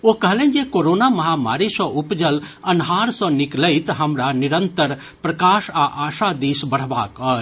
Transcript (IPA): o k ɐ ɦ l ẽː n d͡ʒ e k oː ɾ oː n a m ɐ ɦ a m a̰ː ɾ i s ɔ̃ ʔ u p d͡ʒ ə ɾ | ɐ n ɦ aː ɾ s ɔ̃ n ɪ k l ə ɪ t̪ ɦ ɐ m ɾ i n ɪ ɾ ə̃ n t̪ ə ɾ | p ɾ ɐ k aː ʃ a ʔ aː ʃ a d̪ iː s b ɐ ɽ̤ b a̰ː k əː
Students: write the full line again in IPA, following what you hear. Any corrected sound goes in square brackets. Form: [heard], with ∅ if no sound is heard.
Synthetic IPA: o k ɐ ɦ l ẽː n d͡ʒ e k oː ɾ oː n a m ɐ ɦ a m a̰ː ɾ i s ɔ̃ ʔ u p d͡ʒ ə [l] | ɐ n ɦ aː ɾ s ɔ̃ n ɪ k l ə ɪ t̪ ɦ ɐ m ɾ [a] n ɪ ɾ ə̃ n t̪ ə ɾ | p ɾ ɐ k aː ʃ a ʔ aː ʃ a d̪ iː s b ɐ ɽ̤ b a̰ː k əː